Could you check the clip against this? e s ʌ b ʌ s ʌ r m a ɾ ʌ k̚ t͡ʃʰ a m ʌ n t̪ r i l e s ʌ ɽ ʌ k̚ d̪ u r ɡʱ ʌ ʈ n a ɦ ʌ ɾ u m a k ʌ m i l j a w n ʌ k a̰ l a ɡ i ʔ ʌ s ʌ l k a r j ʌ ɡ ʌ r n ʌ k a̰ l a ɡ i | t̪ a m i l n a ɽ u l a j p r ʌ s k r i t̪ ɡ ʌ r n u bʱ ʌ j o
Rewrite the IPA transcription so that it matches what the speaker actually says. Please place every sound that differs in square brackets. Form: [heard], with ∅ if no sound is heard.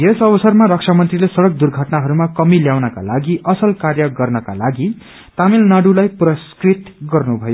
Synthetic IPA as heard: e s ʌ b ʌ s ʌ r m a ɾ ʌ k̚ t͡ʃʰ a m ʌ n t̪ r i l e s ʌ ɽ ʌ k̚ d̪ u r ɡʱ ʌ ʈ n a ɦ ʌ ɾ u m a k ʌ m i l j a w n ʌ k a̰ l a ɡ i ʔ ʌ s ʌ l k a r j ʌ ɡ ʌ r n ʌ k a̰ l a ɡ i | t̪ a m i l n a ɽ u l a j p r ʌ s k r i t̪ ɡ ʌ r n u bʱ ʌ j o